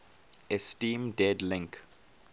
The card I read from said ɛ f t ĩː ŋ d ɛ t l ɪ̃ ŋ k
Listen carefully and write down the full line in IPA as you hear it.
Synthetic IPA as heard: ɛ s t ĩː m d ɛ d l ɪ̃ ŋ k